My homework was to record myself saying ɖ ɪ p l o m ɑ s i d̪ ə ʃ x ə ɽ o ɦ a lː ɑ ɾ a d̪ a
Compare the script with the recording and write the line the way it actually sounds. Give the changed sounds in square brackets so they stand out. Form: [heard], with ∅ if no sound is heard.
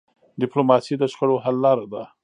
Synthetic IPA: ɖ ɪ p l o m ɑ s i d̪ ə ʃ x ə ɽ o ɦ a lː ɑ ɾ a d̪ a